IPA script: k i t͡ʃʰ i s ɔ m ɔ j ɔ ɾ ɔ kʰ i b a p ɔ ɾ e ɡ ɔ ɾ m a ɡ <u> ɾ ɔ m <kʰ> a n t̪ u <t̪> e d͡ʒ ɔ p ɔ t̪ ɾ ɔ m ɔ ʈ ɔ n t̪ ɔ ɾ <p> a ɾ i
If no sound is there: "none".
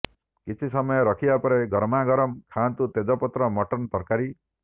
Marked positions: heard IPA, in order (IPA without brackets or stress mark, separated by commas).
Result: ɔ, kʰ, t̪, k